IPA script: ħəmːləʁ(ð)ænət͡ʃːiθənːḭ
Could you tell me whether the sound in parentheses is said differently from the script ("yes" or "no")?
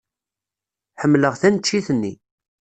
yes